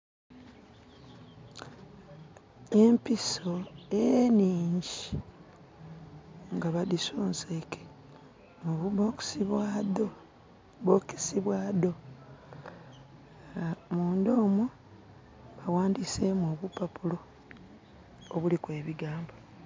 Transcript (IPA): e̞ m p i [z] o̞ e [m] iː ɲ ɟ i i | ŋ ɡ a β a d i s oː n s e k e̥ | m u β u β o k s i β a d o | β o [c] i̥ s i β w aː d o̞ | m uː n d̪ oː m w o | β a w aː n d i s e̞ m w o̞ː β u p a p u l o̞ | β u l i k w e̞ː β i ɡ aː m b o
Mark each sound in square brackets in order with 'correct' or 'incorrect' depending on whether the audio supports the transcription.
incorrect, incorrect, incorrect

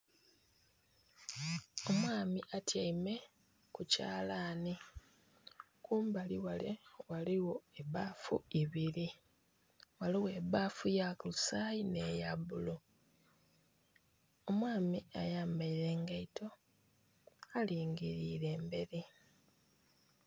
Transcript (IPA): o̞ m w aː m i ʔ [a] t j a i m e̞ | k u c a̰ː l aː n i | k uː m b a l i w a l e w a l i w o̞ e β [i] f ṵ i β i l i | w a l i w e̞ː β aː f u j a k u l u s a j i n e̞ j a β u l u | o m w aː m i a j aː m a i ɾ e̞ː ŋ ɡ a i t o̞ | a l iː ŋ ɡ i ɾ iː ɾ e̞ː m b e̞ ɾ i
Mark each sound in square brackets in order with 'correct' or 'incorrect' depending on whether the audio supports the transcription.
correct, incorrect

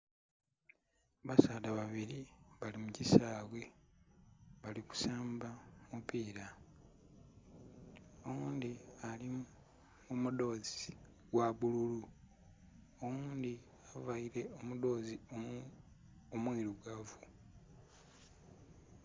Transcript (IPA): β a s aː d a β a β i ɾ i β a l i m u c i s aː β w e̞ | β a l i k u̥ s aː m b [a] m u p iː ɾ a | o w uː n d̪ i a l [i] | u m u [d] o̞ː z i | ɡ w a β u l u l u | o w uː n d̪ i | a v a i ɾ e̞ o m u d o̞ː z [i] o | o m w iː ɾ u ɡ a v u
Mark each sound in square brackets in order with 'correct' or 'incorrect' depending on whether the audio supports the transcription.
correct, correct, correct, correct

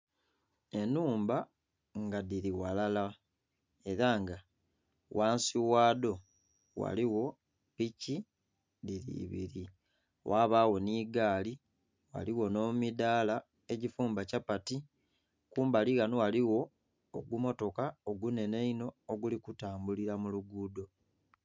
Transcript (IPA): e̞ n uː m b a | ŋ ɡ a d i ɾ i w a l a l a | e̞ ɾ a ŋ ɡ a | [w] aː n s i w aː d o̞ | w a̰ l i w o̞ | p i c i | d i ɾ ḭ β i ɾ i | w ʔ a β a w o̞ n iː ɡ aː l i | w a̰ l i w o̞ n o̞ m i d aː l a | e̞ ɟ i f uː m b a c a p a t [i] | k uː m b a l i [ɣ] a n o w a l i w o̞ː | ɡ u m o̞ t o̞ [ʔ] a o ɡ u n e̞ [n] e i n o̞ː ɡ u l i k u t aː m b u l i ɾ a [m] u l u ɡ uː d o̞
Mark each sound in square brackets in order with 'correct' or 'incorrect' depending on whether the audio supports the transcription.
correct, correct, correct, incorrect, correct, correct

